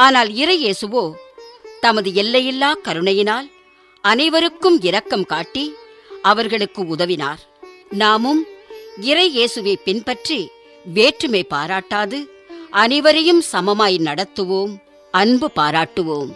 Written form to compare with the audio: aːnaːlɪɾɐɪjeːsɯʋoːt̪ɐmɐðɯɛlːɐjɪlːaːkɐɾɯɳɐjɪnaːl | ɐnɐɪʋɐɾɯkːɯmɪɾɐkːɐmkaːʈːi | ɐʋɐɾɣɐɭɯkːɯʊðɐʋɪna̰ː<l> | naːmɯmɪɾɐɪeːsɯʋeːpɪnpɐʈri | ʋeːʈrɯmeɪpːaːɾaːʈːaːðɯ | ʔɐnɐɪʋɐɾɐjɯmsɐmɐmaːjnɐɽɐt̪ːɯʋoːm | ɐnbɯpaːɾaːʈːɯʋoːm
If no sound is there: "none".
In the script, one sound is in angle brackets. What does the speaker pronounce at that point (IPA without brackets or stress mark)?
ɾ